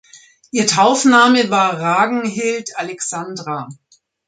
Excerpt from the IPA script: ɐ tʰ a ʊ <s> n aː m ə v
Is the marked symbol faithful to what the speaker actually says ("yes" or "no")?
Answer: no